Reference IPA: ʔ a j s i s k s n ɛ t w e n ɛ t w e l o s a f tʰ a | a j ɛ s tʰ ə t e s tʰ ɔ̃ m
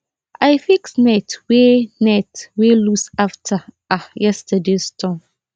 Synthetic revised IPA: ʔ a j f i k s n ɛ t w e n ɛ t w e l u s a f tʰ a | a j ɛ s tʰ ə d e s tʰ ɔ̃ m